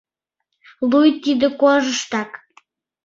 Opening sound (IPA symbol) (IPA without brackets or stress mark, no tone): l